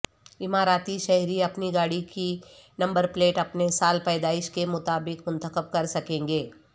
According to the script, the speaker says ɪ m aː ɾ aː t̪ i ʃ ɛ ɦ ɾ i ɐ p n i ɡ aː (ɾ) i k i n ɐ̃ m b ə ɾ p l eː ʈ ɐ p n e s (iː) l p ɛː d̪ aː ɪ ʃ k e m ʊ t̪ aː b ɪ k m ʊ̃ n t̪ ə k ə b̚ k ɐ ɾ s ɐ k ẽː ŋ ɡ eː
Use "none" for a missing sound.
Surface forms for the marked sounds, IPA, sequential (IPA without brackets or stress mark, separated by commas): ɽ, aː